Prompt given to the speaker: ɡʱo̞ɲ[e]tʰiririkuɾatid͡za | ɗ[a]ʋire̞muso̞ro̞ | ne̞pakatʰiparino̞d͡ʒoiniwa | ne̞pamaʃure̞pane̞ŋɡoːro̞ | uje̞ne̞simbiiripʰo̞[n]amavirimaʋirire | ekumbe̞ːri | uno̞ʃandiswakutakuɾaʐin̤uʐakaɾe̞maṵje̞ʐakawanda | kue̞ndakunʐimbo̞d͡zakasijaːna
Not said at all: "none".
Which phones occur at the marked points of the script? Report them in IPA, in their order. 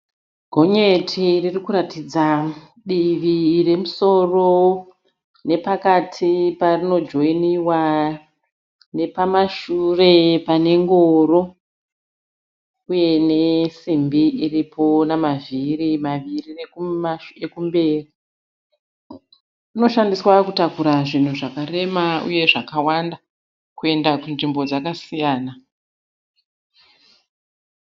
e, i, n

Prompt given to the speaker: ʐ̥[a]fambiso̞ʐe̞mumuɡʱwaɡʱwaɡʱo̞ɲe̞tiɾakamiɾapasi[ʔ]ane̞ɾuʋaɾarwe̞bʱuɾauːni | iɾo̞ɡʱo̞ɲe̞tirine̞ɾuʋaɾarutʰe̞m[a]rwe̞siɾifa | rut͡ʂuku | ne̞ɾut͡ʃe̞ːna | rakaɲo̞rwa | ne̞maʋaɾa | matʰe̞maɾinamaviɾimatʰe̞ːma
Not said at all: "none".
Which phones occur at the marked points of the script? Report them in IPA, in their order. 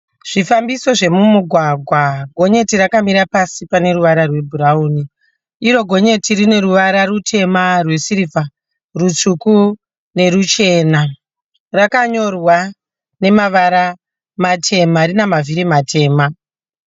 i, p, a

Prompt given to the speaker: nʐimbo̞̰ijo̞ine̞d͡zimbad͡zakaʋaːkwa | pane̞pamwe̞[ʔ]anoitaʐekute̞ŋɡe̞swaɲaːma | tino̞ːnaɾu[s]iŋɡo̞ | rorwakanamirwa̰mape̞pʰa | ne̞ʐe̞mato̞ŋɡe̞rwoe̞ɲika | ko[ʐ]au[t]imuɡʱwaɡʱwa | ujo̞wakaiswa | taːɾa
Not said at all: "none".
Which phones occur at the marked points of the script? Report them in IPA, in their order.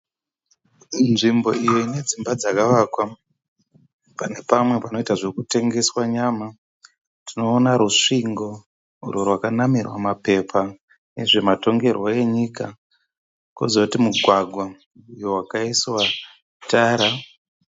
p, ʂ, z, t

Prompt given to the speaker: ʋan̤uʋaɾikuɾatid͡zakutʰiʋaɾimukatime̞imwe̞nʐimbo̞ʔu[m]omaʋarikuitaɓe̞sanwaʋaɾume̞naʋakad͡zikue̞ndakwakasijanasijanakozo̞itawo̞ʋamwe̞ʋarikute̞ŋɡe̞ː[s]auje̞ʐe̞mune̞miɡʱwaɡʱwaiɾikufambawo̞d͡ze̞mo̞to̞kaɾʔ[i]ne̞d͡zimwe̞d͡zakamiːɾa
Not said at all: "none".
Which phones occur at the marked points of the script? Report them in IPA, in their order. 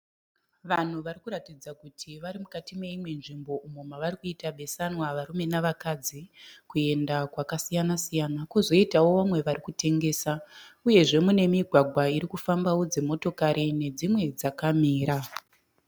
m, s, i

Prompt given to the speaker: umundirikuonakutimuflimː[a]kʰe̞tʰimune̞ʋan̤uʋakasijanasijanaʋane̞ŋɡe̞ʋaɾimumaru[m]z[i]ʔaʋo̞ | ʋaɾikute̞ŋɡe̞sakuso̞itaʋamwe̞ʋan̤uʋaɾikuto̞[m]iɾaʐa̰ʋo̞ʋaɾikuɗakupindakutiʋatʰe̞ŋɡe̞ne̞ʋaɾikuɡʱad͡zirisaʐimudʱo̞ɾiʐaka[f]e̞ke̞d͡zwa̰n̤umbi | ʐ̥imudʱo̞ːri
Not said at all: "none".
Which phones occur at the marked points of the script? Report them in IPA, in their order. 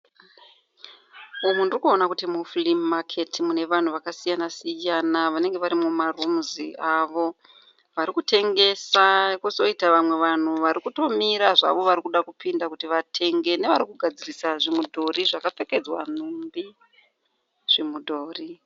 a, m, i, m, f

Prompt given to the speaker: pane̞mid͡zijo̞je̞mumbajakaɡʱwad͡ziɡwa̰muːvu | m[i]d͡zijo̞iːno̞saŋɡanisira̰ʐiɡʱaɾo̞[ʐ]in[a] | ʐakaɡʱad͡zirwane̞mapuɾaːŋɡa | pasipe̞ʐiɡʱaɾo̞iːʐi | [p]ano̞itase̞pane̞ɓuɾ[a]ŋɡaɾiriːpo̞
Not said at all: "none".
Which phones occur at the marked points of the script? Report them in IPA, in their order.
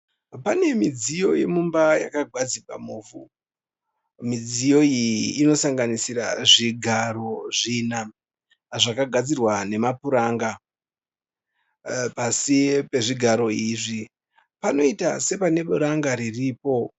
i, ʐ, a, p, a

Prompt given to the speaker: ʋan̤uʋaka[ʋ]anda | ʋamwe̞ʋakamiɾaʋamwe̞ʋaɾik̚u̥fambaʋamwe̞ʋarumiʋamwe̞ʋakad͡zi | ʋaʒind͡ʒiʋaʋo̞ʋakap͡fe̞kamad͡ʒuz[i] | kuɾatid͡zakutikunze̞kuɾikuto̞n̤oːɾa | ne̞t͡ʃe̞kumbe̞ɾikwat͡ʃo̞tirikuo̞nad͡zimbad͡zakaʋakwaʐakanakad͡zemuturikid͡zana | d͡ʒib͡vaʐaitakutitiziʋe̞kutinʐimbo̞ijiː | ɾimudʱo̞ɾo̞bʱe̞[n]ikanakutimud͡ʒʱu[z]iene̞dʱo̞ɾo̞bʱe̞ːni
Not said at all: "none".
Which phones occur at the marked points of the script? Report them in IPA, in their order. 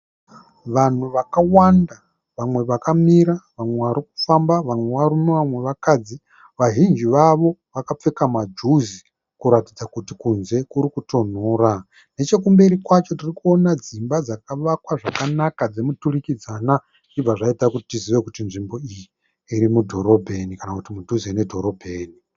w, i, n, z

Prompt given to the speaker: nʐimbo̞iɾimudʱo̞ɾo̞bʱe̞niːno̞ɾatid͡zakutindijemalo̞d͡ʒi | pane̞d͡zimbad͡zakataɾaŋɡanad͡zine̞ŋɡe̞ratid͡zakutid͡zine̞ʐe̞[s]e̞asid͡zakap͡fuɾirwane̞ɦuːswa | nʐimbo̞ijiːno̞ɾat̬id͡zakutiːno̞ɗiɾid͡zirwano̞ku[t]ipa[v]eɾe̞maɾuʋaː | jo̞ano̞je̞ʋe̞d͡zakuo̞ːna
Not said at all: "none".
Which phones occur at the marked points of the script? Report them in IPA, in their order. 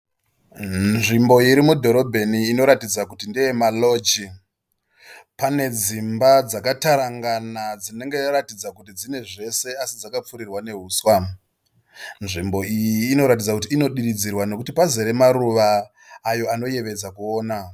s, t, z

